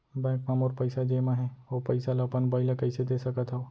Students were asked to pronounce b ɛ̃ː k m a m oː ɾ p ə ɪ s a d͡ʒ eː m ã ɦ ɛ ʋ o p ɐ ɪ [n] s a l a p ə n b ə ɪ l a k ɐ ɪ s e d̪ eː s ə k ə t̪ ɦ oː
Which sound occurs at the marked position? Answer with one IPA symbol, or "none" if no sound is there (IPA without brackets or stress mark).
none